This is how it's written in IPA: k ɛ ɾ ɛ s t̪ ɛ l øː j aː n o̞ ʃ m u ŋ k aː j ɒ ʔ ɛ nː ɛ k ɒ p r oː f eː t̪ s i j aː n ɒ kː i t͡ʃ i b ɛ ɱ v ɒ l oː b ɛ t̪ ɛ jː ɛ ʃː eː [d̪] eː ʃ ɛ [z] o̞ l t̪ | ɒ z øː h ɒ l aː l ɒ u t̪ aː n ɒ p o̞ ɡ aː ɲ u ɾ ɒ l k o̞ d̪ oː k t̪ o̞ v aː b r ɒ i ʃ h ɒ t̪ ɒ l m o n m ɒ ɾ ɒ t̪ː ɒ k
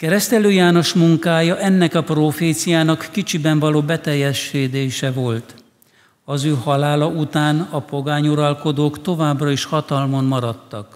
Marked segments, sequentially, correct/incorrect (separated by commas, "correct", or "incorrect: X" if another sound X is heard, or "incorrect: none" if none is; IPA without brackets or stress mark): correct, incorrect: v